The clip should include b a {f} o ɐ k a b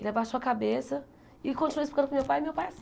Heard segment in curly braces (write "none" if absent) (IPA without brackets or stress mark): ʃ